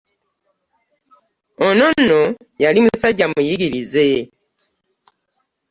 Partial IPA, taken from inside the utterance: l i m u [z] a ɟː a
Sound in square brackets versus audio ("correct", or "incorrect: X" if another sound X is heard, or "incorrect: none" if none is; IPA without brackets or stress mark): incorrect: s